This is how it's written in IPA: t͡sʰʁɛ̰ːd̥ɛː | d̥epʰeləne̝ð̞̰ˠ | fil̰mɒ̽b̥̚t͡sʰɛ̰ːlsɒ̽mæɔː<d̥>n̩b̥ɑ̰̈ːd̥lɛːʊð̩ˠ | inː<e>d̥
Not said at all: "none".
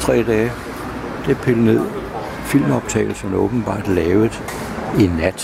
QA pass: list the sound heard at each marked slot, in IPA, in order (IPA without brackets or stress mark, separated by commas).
b̥, æ